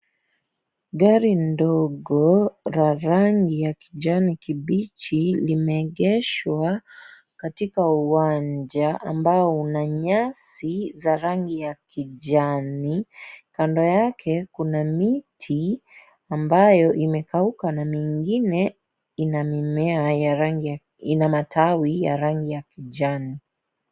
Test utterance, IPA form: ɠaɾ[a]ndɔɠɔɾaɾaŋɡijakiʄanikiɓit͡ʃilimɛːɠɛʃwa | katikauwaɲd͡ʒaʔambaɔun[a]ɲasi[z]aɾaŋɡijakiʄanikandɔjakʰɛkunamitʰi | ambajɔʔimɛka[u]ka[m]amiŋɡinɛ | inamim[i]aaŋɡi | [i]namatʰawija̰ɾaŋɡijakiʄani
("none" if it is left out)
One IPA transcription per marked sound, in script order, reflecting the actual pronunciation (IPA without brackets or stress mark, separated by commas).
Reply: i, a, z, u, n, ɛ, i